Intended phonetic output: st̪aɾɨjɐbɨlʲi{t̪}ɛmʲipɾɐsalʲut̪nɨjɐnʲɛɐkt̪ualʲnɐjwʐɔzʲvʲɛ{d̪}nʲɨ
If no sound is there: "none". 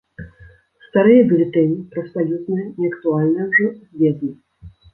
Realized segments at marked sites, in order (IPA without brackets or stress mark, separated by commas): t̪, d̪